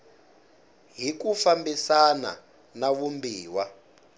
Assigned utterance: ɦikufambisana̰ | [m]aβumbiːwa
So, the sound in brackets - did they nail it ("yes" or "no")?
no